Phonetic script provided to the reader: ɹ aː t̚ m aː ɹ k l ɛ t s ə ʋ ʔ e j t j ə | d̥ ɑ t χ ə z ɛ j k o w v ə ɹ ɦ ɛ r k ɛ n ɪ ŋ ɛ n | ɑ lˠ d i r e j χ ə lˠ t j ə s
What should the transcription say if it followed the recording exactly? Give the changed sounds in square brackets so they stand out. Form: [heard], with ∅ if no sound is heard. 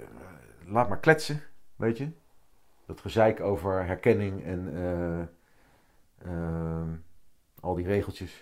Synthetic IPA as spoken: [l] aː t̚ m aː ɹ k l ɛ t s ə ʋ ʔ e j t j ə | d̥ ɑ t χ ə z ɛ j k o w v ə ɹ ɦ ɛ [ɹ] k ɛ n ɪ ŋ ɛ n | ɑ lˠ d i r e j χ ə lˠ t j ə s